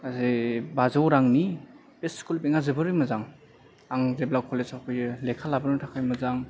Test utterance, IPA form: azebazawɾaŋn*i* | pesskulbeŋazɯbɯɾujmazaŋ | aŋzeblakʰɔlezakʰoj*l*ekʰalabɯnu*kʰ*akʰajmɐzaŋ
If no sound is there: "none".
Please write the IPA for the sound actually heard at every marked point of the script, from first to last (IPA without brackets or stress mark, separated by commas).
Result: i, l, tʰ